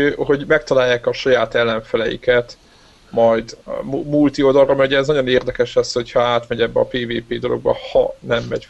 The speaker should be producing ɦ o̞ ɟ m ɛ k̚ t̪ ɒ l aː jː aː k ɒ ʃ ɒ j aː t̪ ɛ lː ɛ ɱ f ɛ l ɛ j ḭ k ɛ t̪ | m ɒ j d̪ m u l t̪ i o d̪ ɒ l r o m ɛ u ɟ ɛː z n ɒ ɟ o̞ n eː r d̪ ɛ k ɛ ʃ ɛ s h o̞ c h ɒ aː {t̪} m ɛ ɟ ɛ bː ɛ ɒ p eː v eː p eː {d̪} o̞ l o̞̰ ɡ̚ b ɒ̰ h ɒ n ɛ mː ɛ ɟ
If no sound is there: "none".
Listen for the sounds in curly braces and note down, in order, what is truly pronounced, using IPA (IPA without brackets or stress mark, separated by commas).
t̪, d̪